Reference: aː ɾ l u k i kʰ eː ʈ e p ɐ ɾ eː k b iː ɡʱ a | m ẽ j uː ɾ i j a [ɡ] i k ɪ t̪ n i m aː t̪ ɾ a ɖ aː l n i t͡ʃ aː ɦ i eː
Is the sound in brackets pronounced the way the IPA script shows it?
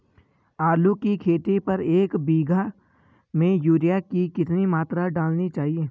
no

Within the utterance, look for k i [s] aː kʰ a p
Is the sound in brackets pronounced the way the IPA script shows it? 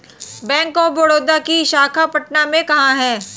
no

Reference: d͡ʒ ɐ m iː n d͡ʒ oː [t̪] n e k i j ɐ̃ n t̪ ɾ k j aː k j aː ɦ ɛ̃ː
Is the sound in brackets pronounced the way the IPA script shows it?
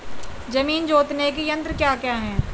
yes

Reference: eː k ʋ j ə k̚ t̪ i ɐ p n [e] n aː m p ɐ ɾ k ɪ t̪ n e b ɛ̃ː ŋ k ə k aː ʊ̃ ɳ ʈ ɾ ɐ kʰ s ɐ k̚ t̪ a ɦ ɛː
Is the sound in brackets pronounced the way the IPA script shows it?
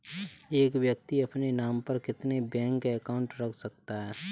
yes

